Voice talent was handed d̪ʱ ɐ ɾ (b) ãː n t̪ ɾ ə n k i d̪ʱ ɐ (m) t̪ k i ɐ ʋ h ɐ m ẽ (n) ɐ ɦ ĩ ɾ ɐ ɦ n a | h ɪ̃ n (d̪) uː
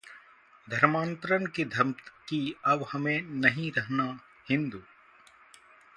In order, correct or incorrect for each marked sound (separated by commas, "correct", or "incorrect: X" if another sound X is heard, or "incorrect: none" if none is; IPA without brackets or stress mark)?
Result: incorrect: m, correct, correct, correct